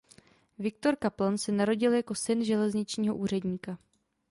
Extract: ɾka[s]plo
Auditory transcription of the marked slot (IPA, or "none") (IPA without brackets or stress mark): none